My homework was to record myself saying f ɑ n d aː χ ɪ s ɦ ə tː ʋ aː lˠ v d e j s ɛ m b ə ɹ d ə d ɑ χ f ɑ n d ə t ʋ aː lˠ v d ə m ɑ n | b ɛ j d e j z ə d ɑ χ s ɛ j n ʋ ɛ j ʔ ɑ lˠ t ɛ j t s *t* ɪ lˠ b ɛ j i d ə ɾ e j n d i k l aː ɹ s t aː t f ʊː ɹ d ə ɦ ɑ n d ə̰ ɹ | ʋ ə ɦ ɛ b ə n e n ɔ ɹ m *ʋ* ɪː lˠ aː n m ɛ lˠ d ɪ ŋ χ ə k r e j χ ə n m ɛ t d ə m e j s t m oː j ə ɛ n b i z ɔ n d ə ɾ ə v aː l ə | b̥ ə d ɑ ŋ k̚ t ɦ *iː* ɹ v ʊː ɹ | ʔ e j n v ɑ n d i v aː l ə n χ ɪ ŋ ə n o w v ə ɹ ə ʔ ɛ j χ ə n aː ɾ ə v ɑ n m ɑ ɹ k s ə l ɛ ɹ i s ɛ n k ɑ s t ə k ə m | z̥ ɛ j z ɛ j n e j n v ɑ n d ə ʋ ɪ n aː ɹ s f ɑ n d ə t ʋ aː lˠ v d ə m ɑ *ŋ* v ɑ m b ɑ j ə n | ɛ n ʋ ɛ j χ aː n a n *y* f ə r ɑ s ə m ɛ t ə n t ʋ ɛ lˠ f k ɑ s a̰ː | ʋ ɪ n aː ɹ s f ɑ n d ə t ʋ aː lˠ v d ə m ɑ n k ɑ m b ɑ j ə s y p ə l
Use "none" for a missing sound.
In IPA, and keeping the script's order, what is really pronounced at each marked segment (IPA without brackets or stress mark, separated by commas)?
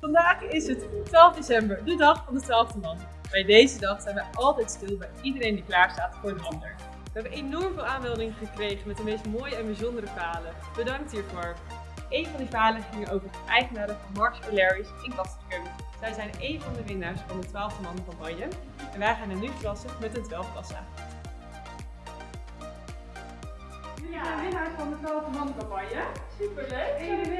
t, v, iː, n, y